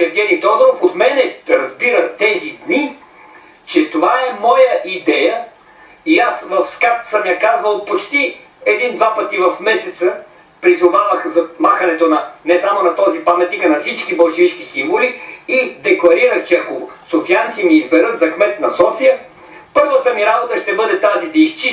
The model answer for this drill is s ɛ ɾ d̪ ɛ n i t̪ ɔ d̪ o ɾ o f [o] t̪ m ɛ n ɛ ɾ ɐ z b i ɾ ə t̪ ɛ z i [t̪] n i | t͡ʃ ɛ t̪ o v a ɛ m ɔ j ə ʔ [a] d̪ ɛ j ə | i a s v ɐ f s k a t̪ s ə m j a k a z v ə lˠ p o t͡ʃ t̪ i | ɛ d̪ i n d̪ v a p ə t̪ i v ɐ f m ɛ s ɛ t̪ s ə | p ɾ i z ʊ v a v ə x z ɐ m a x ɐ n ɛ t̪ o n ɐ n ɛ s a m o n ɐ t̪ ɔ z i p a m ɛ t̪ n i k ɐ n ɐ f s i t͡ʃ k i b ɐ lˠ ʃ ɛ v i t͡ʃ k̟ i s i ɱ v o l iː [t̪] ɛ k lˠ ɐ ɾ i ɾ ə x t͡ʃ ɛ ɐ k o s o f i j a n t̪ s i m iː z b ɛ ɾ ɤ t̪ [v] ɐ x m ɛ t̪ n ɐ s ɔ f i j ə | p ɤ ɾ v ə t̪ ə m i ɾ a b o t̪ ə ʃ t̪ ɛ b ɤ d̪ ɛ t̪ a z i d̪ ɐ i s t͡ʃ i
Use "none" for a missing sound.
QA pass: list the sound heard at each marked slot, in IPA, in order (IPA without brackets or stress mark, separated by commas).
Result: o, d̪, i, d̪, z